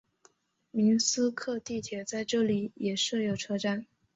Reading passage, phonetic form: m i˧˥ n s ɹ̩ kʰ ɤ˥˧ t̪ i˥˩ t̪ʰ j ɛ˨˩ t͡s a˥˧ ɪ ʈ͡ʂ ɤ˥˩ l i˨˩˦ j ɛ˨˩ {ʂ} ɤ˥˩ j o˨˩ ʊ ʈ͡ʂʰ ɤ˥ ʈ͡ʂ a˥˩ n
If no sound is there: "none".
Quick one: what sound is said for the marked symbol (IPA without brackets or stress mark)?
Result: ʂ